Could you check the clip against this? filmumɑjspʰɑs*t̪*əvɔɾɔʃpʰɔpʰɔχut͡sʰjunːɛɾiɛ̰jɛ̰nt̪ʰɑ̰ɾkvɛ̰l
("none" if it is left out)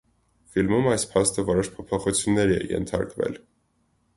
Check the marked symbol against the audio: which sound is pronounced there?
t̪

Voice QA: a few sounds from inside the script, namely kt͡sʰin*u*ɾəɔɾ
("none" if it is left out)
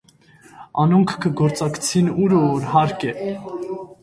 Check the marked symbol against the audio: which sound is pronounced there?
u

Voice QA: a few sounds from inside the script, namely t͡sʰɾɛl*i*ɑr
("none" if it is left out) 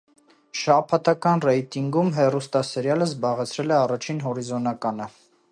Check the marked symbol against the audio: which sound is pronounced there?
ɛ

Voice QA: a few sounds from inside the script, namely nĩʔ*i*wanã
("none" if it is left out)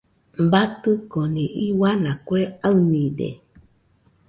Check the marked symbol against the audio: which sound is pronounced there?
i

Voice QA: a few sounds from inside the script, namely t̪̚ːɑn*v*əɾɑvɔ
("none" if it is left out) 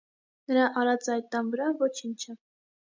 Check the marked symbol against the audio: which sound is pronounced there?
v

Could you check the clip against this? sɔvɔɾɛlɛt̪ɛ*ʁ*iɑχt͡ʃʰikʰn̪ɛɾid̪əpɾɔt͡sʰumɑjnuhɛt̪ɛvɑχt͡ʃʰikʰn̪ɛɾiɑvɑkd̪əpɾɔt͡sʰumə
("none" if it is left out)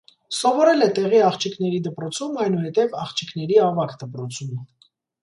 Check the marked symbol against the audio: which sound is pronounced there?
ʁ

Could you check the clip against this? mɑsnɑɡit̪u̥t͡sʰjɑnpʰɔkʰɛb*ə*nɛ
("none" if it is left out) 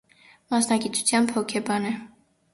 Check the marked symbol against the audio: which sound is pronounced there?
ɑ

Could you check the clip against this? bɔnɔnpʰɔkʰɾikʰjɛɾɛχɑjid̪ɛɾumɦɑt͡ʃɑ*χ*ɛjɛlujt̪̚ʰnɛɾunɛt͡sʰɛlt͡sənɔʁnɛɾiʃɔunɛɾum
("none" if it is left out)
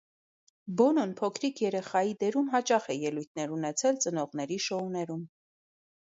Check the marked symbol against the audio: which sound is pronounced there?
χ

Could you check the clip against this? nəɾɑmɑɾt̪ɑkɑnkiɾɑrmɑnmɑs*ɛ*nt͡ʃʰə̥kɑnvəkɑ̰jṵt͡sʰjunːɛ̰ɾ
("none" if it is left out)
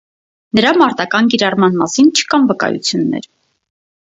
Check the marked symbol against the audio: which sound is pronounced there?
i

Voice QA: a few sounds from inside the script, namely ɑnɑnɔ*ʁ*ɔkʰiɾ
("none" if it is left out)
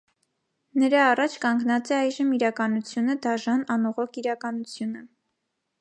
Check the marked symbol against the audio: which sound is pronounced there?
ʁ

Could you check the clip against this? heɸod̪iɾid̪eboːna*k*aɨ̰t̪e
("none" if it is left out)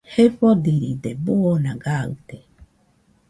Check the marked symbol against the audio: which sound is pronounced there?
ɡ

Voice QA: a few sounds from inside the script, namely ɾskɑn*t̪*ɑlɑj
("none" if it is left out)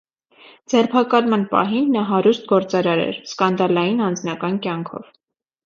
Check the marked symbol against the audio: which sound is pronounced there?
d̪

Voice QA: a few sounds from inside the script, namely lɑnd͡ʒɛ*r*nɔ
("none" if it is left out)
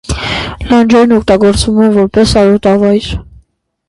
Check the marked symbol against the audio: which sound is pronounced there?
ɾ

